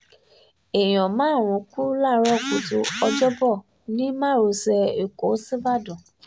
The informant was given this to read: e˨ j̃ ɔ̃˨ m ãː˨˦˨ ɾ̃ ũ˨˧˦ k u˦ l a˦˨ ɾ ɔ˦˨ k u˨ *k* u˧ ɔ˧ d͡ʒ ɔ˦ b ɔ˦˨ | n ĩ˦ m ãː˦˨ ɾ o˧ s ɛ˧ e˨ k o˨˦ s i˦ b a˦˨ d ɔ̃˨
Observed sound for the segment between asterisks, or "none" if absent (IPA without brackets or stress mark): t